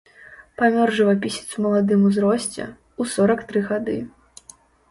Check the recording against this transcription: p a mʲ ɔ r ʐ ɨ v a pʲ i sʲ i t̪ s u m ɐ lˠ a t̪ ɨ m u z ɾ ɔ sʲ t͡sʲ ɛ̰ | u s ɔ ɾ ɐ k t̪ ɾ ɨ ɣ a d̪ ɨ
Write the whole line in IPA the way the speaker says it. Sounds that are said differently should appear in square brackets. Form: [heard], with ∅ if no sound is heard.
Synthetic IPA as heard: p a mʲ ɔ r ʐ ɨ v a pʲ i sʲ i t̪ s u m ɐ lˠ a [d̪] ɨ m u z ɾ ɔ sʲ t͡sʲ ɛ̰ | u s ɔ ɾ ɐ k t̪ ɾ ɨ ɣ a d̪ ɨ